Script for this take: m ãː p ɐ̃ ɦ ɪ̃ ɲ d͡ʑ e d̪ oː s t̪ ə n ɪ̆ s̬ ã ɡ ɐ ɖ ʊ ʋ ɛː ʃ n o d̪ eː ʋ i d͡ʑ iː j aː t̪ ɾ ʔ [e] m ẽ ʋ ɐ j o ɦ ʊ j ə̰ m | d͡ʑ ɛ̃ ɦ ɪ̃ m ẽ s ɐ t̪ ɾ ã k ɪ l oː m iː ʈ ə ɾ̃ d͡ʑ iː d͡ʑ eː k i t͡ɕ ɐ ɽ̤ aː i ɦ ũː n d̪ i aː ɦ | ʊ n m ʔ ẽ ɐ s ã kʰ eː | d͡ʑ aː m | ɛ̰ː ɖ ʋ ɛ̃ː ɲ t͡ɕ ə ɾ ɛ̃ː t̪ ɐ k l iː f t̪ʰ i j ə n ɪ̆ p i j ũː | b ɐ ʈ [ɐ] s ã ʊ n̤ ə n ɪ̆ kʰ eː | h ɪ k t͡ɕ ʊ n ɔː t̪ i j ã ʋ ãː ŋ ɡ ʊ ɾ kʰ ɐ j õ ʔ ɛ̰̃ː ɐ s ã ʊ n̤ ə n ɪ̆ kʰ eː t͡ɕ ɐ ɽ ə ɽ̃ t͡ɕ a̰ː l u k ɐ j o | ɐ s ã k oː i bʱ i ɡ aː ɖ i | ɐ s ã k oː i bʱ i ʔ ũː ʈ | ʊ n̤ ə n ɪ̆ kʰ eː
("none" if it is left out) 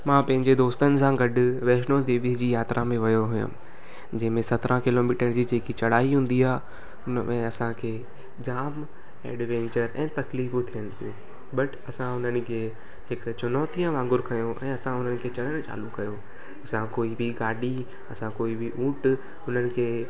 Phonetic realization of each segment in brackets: a, ɐ

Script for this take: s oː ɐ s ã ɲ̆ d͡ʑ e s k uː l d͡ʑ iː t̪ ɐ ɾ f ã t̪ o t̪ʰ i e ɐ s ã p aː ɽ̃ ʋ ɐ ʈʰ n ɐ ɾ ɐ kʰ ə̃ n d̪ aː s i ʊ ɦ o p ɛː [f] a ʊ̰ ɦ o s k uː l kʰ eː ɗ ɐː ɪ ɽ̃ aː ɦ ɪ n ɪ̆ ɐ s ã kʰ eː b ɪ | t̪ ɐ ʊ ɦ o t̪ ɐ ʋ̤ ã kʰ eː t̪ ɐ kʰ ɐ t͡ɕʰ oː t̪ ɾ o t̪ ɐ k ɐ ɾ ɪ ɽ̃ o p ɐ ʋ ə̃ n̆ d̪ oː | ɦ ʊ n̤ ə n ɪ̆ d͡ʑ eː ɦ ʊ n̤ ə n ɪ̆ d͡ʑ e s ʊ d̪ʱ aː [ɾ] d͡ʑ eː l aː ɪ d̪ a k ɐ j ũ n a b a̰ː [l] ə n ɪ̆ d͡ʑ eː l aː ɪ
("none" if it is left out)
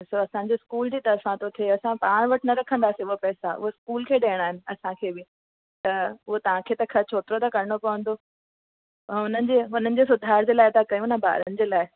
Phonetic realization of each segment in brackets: s, ɾ, ɾ

